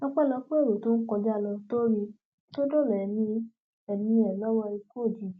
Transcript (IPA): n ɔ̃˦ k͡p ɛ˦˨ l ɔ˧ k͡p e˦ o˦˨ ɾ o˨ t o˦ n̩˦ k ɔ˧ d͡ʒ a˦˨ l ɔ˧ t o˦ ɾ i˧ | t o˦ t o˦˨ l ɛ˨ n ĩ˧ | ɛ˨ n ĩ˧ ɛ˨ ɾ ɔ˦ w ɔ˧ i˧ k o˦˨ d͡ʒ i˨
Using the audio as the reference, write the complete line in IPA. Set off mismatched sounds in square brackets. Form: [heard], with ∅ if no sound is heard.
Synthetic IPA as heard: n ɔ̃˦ k͡p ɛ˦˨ l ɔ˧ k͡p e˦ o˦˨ ɾ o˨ t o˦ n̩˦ k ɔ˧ d͡ʒ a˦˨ l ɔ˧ t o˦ ɾ i˧ | t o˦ [d] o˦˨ l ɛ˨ n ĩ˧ | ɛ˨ n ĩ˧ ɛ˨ [l] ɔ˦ w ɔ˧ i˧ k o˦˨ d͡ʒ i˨

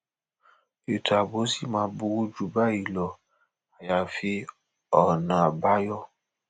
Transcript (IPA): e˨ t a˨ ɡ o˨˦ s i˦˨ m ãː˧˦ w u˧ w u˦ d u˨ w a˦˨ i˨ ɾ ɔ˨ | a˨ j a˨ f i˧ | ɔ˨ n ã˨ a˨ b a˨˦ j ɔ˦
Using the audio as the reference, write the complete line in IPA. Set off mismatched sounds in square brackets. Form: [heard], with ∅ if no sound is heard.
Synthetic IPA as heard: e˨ t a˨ [b] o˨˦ s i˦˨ m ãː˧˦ [b] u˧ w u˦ [d͡ʒ] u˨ [b] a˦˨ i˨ [l] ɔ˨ | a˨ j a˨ f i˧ | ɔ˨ n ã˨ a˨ b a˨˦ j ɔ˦

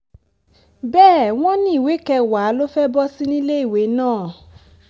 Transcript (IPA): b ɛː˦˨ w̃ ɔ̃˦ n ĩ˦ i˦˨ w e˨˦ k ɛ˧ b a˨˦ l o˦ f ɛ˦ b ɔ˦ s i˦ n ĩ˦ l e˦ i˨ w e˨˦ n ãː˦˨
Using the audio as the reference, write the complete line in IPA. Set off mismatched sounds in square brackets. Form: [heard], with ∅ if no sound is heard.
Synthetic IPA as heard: b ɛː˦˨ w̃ ɔ̃˦ n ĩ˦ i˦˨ w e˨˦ k ɛ˧ [w] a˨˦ l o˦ f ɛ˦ b ɔ˦ s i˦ n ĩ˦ l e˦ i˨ w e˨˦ n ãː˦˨

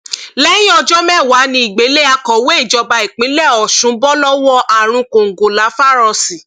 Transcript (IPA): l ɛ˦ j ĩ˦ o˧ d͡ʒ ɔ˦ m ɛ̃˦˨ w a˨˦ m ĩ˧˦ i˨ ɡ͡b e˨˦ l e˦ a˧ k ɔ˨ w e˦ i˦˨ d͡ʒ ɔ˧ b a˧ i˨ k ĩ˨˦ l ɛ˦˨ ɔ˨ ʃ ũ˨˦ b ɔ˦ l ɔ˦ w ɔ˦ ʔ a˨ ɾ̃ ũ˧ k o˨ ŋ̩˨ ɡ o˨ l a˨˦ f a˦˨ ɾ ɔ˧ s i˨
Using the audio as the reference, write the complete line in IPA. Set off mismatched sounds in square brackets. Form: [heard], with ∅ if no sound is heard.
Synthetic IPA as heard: l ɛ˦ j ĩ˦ [ɔ˧] d͡ʒ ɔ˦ m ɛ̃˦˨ w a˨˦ [n] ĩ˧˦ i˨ ɡ͡b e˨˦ l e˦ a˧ k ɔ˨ w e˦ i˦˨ d͡ʒ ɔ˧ b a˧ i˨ [k͡p] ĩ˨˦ l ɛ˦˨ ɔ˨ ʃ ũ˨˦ b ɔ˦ l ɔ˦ w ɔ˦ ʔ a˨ ɾ̃ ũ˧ k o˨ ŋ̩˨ ɡ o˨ l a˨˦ f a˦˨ ɾ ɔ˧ s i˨

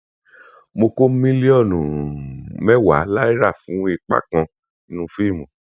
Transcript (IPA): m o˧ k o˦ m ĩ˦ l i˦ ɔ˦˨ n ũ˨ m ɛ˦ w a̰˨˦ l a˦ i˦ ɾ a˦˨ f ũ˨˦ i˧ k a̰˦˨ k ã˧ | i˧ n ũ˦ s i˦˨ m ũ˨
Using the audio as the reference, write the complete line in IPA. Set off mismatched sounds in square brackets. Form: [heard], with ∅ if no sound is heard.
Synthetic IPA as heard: m o˧ k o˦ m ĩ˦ l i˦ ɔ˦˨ n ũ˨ m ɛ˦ w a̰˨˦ l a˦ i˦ ɾ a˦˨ f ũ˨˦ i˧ [k͡p] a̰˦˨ k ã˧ | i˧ n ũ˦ [f] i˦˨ m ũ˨

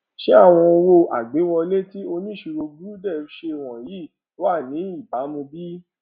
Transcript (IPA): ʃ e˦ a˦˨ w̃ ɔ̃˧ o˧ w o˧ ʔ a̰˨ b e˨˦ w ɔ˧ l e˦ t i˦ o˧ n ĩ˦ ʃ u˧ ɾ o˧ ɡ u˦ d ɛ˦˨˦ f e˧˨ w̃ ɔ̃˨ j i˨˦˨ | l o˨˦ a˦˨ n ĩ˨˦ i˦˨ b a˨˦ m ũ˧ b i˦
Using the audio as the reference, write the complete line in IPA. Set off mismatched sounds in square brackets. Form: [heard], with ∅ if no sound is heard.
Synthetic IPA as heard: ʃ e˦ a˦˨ w̃ ɔ̃˧ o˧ w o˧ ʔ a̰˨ [ɡ͡b] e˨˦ w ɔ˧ l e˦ t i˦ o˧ n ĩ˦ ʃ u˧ ɾ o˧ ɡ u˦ d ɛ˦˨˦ [ʃ] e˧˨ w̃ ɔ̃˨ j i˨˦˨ | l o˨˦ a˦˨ n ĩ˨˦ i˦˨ b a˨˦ m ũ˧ b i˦

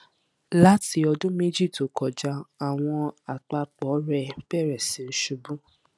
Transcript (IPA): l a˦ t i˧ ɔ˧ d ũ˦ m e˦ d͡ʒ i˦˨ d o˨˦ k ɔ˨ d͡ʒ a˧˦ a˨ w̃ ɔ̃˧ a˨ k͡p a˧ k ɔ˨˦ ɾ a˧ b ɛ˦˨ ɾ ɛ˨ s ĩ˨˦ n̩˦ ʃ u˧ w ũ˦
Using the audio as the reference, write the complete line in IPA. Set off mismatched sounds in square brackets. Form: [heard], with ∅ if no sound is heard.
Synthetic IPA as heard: l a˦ t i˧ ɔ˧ d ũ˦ m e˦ d͡ʒ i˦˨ [t] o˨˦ k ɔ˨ d͡ʒ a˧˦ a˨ w̃ ɔ̃˧ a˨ k͡p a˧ [k͡p] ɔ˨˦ ɾ [ɛ˧] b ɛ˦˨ ɾ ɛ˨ s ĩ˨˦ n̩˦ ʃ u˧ [b] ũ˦

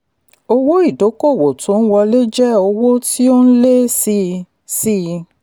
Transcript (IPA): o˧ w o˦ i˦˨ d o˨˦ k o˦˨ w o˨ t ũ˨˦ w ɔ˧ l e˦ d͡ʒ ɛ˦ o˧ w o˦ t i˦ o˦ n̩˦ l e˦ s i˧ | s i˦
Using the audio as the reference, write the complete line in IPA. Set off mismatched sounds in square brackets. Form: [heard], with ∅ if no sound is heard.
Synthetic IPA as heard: o˧ w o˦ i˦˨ d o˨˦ k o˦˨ w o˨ t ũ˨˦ w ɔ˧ l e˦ d͡ʒ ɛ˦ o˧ w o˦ t i˦ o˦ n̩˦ l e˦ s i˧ | s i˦

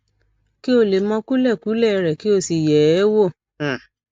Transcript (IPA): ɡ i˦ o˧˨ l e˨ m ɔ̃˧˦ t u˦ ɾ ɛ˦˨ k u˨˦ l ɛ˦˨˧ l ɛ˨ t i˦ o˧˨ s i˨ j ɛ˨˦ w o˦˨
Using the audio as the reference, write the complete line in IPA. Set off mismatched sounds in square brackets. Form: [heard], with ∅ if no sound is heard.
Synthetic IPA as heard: [k] i˦ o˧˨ l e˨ m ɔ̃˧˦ [k] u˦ [l] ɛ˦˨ k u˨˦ l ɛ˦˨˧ [ɾ] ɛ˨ [k] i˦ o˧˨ s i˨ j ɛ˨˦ w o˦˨

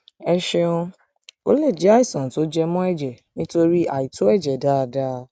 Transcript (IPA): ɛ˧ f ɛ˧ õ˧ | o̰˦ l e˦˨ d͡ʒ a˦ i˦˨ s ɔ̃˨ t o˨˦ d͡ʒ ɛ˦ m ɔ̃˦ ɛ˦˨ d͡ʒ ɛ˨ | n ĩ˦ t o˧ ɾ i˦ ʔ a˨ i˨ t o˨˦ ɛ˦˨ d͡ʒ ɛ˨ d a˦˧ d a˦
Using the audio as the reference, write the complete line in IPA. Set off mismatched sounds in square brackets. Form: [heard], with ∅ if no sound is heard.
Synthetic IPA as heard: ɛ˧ [ʃ] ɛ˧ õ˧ | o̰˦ l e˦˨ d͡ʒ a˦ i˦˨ s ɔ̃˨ t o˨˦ d͡ʒ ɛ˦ m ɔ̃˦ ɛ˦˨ d͡ʒ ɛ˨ | n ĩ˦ t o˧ ɾ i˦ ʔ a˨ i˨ t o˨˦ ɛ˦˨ d͡ʒ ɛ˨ d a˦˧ d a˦

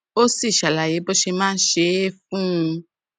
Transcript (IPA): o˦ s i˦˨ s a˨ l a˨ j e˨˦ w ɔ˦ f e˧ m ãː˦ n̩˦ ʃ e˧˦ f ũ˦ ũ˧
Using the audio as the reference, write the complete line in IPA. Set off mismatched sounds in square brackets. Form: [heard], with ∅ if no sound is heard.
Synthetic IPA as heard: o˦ s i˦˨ [ʃ] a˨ l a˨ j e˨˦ [b] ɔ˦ [ʃ] e˧ m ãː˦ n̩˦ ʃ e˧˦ f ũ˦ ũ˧

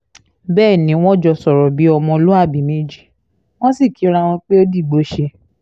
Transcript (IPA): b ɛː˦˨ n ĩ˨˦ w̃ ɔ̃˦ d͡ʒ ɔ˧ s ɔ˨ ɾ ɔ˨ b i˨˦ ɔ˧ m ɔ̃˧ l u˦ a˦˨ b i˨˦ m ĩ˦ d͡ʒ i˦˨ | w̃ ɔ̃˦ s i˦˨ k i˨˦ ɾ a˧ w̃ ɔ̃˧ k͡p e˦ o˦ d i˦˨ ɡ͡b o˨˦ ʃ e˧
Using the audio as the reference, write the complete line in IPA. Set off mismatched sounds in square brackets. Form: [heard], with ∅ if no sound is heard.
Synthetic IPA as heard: b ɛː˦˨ n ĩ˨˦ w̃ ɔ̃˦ d͡ʒ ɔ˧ s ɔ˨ ɾ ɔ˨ b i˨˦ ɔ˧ m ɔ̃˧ l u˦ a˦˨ b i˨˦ m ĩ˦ d͡ʒ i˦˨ | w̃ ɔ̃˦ s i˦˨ k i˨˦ ɾ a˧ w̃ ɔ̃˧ k͡p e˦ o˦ d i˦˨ ɡ͡b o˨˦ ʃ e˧

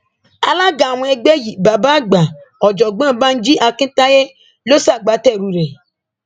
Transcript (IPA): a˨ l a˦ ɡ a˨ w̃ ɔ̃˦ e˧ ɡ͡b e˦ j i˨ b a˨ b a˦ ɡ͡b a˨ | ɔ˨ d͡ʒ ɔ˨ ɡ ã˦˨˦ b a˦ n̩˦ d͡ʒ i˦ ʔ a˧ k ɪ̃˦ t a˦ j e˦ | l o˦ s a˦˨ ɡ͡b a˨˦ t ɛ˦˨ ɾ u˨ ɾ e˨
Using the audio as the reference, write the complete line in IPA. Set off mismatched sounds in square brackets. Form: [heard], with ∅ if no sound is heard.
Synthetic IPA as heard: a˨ l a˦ ɡ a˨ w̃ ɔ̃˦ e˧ ɡ͡b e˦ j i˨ b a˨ b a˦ ɡ͡b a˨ | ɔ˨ d͡ʒ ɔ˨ [ɡ͡b] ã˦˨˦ b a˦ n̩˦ d͡ʒ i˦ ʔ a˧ k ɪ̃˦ t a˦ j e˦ | l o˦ s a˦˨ ɡ͡b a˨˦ t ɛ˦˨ ɾ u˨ ɾ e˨

